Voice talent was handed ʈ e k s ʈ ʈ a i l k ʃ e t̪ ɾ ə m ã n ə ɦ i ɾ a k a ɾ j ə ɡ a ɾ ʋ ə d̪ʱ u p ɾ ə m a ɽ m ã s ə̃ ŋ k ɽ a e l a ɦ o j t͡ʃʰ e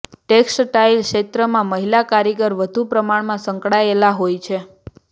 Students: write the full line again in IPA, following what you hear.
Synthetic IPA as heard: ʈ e k s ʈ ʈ a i l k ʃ e t̪ ɾ ə m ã m ə ɦ i l a k a ɾ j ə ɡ ə ɾ ʋ ə d̪ʱ u p ɾ ə m a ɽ m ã s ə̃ ŋ k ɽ a e l a ɦ o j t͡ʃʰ e